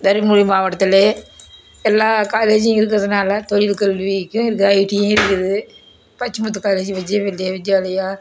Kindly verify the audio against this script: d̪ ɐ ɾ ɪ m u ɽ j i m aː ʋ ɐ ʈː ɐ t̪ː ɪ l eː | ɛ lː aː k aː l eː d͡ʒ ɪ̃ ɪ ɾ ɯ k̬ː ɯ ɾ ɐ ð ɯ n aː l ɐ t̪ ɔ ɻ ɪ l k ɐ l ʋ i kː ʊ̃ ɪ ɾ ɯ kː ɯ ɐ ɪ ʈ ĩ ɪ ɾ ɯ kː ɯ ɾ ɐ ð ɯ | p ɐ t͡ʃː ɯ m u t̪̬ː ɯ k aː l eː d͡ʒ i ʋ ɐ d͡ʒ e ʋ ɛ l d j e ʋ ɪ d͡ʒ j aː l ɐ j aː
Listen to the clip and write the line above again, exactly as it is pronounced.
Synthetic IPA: d̪ ɐ ɾ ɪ m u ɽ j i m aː ʋ ɐ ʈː ɐ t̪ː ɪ l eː | ɛ lː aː k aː l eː d͡ʒ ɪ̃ ɪ ɾ ɯ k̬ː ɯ ɾ ɐ ð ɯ n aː l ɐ t̪ ɔ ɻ ɪ l k ɐ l ʋ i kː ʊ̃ ɪ ɾ ɯ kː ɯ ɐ ɪ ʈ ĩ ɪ ɾ ɯ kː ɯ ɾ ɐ ð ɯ | p ɐ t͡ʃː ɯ m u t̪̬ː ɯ k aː l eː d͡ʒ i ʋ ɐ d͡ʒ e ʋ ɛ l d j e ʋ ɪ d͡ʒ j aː l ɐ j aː

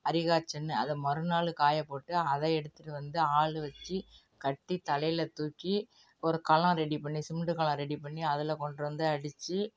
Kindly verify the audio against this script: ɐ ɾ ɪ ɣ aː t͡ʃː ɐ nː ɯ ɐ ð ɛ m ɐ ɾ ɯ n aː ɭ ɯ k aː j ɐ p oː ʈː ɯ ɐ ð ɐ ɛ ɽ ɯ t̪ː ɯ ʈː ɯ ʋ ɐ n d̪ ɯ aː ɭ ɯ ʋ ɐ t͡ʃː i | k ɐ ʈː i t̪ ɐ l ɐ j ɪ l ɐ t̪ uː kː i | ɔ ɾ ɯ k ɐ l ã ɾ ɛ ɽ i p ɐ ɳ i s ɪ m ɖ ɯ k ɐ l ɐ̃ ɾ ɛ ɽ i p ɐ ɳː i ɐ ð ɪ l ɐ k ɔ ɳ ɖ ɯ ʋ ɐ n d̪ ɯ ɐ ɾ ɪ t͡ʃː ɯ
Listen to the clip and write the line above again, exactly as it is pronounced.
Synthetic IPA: ɐ ɾ ɪ ɣ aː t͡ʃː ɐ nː ɯ ɐ ð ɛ m ɐ ɾ ɯ n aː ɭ ɯ k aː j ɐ p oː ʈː ɯ ɐ ð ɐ ɛ ɽ ɯ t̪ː ɯ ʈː ɯ ʋ ɐ n d̪ ɯ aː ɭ ɯ ʋ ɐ t͡ʃː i | k ɐ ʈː i t̪ ɐ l ɐ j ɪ l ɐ t̪ uː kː i | ɔ ɾ ɯ k ɐ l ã ɾ ɛ ɽ i p ɐ ɳː i s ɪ m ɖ ɯ k ɐ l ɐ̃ ɾ ɛ ɽ i p ɐ ɳː i ɐ ð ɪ l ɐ k ɔ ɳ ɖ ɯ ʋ ɐ n d̪ ɯ ɐ ɽ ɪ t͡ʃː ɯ

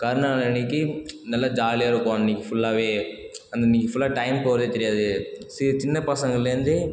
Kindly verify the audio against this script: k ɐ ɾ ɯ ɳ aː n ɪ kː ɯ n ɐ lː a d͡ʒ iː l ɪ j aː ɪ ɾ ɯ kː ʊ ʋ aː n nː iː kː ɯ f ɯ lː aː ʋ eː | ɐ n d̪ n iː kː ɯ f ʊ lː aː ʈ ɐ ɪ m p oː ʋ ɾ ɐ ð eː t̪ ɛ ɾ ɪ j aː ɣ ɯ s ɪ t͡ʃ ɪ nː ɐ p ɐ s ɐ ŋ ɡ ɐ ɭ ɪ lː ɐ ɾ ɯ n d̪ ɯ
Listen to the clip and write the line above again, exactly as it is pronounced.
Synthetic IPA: k ɐ ɾ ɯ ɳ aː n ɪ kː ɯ n ɐ lː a d͡ʒ aː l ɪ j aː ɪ ɾ ɯ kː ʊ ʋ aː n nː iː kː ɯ f ʊ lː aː ʋ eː | ɐ n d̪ n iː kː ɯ f ʊ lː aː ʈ ɐ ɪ m p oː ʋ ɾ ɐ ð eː t̪ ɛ ɾ ɪ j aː ð ɯ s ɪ t͡ʃ ɪ nː ɐ p ɐ s ɐ ŋ ɡ ɐ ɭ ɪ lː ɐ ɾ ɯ n d̪ ɯ

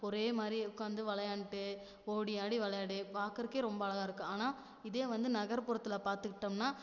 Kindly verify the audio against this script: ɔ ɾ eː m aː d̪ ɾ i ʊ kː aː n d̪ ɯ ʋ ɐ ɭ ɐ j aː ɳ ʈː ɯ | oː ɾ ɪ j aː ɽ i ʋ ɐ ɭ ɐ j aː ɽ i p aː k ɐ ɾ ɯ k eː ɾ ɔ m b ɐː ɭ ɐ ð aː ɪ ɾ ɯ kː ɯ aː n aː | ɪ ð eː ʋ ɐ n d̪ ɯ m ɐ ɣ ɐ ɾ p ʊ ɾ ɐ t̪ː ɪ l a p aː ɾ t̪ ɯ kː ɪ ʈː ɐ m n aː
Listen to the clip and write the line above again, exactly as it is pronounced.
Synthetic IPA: ɔ ɾ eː m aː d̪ ɾ i ʊ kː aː n d̪ ɯ ʋ ɐ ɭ ɐ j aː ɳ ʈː ɯ | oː ɽ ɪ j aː ɽ i ʋ ɐ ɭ ɐ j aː ɽ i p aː k ɐ ɾ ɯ k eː ɾ ɔ m b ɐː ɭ ɐ ɣ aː ɪ ɾ ɯ kː ɯ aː n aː | ɪ ð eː ʋ ɐ n d̪ ɯ n ɐ ɣ ɐ ɾ p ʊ ɾ ɐ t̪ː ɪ l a p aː ɾ t̪ ɯ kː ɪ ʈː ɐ m n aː

